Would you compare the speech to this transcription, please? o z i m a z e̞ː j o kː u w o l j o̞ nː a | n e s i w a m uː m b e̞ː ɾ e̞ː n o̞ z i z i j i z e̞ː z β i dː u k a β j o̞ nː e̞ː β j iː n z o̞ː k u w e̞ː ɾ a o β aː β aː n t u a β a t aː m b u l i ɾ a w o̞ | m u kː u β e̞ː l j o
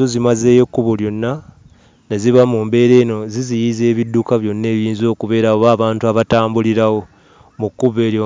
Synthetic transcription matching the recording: o z i m a z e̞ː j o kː u β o l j o̞ nː a | n e z i β a m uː m b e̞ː ɾ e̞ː n o̞ z i z i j i z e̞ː β i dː u k a β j o̞ nː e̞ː β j iː n z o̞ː k u β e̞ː ɾ a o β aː β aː n t u a β a t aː m b u l i ɾ a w o̞ | m u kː u β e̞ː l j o